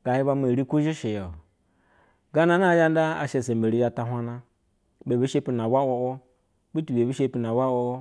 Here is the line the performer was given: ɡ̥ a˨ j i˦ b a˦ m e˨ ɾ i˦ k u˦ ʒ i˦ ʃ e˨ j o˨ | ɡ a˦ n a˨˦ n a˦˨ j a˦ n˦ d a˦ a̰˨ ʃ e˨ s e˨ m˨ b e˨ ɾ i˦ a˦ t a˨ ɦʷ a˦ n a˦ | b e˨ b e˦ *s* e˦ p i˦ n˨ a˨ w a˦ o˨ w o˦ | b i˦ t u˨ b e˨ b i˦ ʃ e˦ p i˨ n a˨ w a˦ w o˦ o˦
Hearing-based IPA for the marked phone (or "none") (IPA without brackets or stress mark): ʃ